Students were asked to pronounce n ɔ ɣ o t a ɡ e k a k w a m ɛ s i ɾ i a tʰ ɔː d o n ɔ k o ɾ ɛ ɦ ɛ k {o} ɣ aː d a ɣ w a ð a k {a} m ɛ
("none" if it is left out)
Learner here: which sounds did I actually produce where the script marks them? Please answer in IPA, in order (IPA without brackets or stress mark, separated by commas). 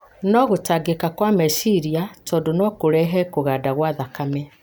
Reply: o, a